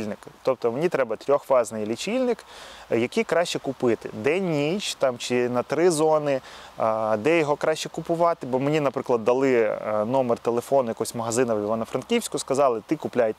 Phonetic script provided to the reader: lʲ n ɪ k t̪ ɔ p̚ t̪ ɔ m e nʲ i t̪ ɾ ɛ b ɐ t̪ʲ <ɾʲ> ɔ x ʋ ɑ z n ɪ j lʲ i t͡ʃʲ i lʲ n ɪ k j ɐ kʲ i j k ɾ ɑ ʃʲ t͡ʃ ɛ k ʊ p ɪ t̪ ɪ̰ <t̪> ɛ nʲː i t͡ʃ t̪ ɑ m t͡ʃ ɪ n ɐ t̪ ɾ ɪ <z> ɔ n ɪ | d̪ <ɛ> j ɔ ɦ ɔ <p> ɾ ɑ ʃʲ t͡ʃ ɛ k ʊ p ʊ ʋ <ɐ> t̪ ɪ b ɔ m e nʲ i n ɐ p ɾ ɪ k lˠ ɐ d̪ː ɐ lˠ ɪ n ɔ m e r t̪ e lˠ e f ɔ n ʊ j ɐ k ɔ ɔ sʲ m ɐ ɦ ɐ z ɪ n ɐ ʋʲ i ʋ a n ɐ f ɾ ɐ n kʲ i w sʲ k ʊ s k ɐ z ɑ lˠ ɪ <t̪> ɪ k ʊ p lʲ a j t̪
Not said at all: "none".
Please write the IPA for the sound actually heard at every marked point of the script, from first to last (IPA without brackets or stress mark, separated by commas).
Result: ɾʲ, d̪, z, ɛ, k, ɑ, t̪